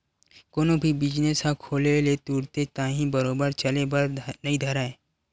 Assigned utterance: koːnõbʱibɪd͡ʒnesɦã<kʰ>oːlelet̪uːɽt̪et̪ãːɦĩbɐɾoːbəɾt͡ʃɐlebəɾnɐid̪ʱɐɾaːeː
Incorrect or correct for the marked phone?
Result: correct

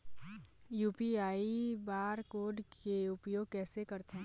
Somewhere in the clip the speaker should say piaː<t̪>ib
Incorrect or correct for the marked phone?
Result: incorrect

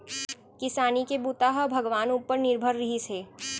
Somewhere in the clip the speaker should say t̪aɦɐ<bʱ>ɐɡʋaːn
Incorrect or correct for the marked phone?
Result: correct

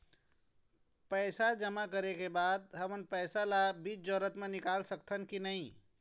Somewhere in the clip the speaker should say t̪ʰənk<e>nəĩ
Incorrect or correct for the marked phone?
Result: incorrect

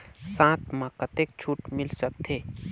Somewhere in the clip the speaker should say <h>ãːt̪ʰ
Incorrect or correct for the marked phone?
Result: incorrect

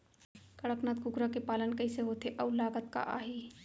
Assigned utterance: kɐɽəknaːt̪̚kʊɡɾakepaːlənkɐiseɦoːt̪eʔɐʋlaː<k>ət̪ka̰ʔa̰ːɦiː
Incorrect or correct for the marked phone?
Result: incorrect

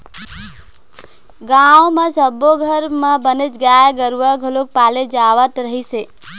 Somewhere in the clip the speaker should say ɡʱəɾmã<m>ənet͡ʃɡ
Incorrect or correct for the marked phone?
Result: incorrect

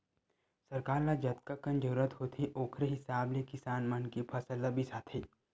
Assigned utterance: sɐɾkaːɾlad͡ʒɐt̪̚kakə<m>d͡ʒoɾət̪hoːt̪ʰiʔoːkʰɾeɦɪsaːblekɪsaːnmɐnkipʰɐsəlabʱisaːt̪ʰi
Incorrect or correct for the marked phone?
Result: incorrect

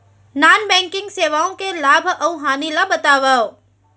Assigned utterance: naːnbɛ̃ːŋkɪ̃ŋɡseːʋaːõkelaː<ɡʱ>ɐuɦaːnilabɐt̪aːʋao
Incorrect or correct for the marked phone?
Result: incorrect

